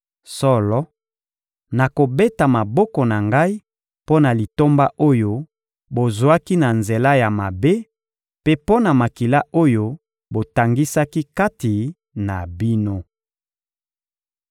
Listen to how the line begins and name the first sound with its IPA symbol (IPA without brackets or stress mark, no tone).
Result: s